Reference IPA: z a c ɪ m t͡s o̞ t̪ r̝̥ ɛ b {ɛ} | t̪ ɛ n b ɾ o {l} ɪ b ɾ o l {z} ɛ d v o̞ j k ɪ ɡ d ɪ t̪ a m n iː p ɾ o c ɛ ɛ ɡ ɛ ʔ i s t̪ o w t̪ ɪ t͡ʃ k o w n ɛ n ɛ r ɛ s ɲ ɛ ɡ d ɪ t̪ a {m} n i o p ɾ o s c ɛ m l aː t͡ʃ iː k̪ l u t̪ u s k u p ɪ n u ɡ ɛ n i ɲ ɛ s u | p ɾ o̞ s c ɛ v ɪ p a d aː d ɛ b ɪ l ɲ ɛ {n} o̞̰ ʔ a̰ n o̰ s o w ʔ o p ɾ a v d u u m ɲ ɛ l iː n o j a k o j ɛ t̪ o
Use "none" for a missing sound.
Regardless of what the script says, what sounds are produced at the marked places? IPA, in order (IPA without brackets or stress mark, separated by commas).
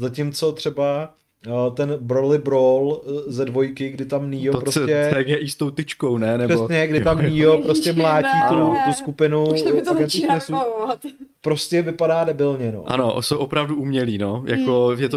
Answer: a, l, z, m, n